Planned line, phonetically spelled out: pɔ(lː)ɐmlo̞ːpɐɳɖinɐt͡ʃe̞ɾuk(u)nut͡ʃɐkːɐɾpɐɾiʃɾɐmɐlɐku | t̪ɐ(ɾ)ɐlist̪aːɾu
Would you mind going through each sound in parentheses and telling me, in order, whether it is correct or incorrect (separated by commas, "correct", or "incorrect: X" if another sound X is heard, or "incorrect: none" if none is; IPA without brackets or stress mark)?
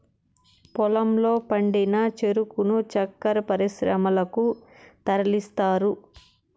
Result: incorrect: l, correct, correct